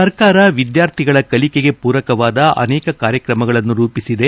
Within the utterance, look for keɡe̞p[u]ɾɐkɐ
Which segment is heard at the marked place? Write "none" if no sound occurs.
uː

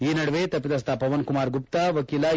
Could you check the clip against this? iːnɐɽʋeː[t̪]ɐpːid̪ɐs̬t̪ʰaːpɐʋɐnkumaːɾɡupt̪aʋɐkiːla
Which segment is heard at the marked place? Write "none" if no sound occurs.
t̪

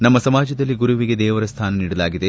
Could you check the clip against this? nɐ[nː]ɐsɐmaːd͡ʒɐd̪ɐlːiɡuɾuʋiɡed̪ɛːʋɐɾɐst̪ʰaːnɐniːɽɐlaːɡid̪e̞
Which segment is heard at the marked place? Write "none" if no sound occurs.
mː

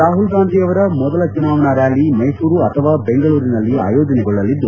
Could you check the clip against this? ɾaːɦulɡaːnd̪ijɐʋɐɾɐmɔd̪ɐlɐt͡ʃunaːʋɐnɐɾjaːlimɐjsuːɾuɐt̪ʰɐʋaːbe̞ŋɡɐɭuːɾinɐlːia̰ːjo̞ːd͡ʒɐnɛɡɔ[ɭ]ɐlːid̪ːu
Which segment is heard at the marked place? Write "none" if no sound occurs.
ɭː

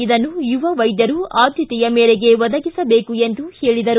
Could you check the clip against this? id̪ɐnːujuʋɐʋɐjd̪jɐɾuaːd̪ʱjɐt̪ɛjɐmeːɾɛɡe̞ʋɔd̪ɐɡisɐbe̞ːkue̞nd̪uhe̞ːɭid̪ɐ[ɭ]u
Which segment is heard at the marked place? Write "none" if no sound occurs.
ɾ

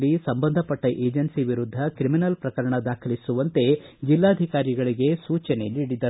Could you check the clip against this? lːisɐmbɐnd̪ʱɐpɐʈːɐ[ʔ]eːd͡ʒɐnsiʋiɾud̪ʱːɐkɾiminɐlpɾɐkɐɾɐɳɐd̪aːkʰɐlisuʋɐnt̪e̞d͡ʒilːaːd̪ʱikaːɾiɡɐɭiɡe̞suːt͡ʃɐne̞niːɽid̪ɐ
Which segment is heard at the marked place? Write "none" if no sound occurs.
ʔ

